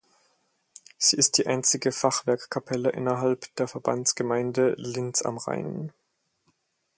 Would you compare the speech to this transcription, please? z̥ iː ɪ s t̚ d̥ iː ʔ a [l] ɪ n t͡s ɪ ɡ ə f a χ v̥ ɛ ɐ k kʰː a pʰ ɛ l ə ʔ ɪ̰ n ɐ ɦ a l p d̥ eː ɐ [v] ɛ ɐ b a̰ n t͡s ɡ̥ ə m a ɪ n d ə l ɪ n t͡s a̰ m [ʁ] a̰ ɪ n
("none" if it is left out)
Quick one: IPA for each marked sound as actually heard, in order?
none, f, ʁ

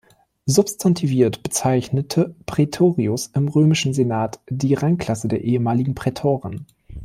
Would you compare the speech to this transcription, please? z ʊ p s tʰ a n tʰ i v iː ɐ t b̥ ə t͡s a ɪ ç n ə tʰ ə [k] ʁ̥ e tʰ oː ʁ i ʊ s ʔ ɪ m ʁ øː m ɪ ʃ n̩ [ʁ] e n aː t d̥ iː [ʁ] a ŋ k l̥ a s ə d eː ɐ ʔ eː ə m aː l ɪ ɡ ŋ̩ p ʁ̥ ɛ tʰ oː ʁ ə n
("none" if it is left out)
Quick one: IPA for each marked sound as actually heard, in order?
p, z, ʁ

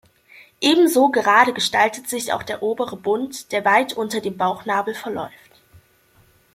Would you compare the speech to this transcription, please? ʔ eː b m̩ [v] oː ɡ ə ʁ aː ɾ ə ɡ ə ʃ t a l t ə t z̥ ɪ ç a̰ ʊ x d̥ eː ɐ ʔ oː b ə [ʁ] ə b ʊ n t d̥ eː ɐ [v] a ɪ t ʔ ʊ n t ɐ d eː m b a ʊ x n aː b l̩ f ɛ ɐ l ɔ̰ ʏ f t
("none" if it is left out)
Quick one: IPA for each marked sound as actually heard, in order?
z, ʁ, v

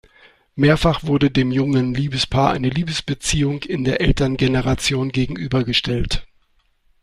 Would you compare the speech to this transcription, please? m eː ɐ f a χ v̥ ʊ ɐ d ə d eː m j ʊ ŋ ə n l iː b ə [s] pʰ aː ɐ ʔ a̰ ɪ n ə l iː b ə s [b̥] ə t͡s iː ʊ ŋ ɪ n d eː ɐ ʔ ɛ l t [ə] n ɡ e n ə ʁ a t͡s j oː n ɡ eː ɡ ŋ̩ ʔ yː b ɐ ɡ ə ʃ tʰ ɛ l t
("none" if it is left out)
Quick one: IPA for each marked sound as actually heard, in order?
s, b̥, ɐ

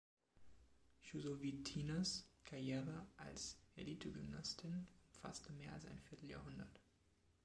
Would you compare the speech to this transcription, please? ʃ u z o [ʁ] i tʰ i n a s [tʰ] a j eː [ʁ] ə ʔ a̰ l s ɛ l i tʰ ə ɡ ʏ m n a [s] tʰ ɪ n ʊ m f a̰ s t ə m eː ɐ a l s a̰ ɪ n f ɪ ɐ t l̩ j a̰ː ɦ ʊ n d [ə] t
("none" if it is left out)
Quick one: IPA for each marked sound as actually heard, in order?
v, kʰ, ʁ, s, ɐ

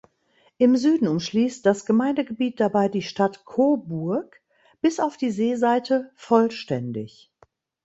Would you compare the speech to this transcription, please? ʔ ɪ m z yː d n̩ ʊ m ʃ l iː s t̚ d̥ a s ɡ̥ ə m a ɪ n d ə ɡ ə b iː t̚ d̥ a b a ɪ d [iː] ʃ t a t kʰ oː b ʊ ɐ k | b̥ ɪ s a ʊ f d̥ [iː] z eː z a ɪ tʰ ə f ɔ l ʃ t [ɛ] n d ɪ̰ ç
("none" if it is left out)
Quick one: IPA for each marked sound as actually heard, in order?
iː, iː, ɛ

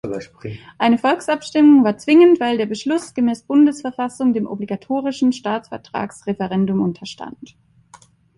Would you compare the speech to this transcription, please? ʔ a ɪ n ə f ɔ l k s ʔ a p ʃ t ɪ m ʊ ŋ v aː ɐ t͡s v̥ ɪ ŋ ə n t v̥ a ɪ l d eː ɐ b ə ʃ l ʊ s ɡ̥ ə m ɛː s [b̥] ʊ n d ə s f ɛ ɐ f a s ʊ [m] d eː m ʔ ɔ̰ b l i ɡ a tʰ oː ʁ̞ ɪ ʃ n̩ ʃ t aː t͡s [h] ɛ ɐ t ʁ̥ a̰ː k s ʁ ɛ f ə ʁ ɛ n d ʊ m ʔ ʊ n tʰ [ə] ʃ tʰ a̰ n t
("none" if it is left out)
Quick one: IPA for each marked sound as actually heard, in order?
b̥, ŋ, f, ɐ

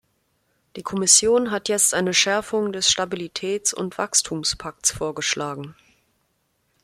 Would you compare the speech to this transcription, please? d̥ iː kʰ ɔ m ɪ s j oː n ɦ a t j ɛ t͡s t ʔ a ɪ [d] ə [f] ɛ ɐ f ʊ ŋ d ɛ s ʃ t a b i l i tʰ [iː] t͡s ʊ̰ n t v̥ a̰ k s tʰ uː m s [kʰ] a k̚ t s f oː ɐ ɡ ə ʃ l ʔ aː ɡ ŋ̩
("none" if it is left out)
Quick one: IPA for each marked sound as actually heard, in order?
n, ʃ, ɛː, pʰ

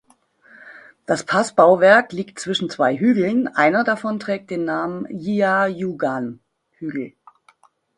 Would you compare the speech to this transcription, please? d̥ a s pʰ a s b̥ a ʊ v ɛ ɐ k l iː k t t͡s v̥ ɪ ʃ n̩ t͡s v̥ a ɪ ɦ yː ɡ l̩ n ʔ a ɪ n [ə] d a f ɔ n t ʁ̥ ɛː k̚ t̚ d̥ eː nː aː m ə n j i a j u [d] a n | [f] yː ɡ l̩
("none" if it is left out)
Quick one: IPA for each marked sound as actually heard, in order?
ɐ, ɡ, h

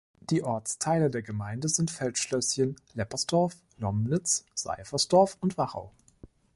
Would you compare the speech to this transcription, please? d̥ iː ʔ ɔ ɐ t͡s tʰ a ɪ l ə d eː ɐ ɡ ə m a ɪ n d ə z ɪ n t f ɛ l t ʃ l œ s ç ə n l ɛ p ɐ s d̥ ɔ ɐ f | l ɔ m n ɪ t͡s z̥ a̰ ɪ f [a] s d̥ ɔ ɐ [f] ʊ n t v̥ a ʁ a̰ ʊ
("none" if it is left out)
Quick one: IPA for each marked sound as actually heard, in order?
ɐ, f

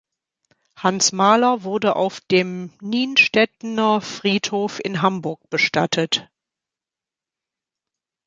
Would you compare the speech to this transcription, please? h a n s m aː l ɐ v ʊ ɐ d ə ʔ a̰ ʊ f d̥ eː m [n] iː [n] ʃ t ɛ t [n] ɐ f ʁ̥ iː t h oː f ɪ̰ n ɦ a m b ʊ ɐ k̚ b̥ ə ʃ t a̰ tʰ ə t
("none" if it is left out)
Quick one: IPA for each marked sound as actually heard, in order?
n, n, n

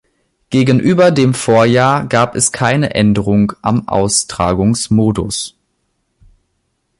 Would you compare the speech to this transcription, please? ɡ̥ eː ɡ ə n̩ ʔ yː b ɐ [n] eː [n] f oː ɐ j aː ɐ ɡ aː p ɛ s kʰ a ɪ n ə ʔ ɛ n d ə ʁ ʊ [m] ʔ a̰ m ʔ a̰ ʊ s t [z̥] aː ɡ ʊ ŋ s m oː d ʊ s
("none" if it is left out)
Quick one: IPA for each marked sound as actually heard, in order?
d, m, ŋ, ʁ̥

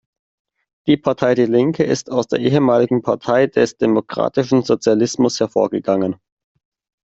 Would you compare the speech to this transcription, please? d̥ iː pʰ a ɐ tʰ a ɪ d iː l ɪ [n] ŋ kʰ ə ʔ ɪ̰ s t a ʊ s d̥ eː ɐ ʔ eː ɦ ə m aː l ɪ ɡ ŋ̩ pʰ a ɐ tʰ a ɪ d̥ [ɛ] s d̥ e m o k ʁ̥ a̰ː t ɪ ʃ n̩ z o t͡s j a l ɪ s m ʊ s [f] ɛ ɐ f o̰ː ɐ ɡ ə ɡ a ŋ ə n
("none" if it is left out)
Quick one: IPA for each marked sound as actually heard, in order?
none, ɛ, h

